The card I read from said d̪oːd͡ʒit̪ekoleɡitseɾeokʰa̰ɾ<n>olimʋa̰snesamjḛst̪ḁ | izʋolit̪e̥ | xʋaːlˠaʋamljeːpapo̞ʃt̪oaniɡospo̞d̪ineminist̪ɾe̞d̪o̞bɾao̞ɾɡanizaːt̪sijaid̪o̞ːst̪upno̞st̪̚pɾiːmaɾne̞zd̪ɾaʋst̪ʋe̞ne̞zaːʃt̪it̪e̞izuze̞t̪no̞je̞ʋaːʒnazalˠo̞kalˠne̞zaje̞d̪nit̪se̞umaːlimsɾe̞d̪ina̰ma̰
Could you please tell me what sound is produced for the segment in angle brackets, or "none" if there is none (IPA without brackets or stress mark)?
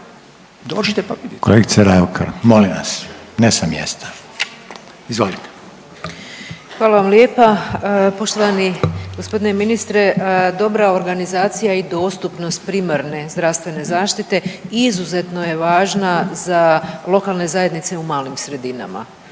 m